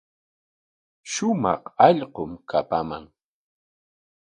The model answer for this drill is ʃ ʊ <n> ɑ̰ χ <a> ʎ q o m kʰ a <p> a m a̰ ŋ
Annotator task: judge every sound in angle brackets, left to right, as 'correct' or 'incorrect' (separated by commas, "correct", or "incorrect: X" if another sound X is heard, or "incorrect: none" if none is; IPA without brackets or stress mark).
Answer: incorrect: m, incorrect: ɑ, correct